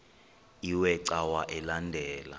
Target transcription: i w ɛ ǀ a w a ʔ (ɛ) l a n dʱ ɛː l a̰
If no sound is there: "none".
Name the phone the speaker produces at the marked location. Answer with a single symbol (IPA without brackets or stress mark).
ɛ